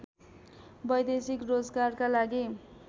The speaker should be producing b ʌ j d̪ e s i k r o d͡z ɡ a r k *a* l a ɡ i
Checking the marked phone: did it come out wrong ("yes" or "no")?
no